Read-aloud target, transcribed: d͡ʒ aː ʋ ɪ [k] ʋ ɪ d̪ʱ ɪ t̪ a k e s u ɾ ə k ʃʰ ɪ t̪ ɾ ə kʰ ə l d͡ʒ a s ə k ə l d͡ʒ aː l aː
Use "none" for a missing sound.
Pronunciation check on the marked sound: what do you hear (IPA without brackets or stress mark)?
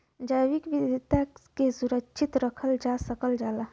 k